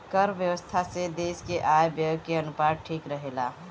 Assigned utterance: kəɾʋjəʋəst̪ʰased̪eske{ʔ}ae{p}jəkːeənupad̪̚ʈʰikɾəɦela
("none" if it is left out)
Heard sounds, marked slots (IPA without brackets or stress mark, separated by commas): ʔ, b